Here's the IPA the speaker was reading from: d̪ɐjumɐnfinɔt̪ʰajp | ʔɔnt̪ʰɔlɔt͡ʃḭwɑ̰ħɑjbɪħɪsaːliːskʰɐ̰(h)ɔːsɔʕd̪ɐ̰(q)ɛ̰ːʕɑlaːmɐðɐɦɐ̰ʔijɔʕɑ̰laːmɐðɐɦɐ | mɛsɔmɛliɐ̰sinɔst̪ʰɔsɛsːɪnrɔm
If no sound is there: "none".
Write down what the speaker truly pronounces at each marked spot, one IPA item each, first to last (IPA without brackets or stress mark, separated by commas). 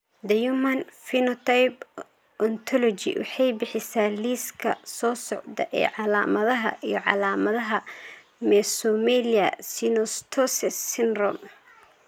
s, ʔ